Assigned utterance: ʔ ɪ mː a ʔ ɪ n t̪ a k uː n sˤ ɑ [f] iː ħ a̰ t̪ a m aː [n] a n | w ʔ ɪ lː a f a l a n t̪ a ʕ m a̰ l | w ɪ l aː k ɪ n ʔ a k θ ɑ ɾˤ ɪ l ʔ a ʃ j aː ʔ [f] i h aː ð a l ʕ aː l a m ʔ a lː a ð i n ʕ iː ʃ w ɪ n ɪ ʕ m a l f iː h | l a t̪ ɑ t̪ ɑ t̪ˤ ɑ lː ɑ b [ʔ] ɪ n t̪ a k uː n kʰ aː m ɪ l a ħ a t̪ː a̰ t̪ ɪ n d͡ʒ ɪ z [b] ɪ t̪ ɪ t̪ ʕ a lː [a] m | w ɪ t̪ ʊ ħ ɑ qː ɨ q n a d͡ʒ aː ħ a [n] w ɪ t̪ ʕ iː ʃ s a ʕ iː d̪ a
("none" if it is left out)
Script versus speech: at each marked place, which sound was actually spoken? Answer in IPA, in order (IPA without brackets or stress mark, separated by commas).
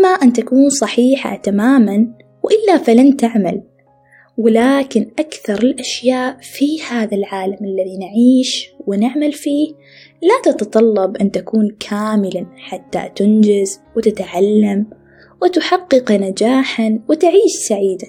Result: ħ, m, f, ʔ, w, a, n